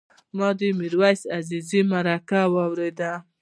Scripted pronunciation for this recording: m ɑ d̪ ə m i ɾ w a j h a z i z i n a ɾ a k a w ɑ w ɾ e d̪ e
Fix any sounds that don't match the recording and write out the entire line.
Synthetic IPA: m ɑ d̪ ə m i ɾ w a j s a z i z i m a ɾ a k a w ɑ w ɾ e d̪ a